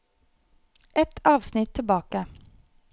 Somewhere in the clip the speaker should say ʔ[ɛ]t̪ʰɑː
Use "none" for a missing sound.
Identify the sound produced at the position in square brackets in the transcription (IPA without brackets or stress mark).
ɛ